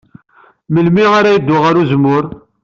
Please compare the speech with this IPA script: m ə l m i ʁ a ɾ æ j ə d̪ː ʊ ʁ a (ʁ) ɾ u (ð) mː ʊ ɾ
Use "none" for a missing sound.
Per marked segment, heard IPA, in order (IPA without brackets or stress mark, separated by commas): none, z